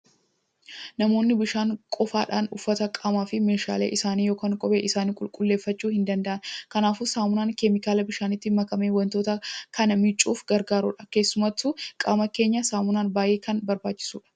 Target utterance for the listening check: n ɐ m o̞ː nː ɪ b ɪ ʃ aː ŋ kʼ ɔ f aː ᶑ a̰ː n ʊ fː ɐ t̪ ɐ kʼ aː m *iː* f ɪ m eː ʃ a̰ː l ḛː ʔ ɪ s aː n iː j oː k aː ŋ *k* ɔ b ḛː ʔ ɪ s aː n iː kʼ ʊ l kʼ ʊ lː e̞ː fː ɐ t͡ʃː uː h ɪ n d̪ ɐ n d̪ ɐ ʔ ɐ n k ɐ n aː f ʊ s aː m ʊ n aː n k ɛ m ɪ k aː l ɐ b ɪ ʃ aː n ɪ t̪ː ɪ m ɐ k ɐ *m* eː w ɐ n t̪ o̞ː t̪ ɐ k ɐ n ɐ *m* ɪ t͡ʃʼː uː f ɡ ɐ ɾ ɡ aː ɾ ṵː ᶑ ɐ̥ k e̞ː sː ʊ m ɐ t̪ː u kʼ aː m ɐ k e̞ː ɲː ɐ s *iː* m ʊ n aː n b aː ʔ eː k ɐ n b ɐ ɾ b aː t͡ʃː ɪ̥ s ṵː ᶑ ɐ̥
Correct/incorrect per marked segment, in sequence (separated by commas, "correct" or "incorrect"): incorrect, incorrect, correct, correct, incorrect